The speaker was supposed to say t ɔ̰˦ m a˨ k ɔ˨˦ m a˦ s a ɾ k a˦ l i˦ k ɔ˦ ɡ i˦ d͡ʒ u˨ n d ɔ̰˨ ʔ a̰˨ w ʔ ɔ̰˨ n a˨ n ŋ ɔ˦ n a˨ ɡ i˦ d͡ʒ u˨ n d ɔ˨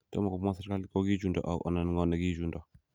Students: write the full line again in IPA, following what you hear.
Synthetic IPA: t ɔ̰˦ m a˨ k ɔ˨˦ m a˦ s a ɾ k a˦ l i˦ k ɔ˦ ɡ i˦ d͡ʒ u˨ n d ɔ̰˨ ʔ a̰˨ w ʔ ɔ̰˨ n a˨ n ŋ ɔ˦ n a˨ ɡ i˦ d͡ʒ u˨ n d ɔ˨